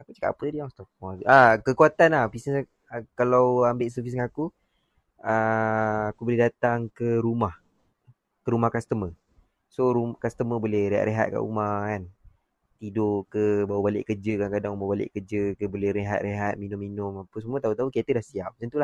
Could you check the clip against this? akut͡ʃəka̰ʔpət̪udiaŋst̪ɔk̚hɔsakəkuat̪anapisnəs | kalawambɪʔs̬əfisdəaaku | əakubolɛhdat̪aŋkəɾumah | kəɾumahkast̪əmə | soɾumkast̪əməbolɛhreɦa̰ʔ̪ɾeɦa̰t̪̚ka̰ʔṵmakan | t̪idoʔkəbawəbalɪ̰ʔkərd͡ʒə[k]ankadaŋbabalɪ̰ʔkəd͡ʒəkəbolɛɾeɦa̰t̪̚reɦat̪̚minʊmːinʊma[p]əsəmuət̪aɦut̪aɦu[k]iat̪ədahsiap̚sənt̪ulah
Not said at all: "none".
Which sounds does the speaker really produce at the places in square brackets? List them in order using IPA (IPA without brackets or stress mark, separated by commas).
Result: k, p, k